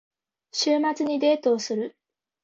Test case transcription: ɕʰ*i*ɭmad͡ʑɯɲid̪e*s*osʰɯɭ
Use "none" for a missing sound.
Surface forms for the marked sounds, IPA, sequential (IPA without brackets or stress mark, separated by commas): i, t